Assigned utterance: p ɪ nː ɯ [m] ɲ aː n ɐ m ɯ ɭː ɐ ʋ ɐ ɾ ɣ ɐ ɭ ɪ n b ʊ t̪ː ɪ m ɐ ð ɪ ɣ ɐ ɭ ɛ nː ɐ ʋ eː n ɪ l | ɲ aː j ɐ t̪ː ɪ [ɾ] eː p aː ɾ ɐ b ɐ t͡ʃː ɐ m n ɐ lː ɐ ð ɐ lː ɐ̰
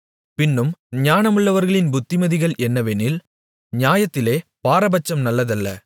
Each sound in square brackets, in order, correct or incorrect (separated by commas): correct, incorrect